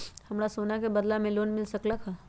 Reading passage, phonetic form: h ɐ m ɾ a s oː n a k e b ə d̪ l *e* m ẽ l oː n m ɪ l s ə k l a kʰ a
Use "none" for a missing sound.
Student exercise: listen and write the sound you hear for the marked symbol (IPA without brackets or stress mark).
a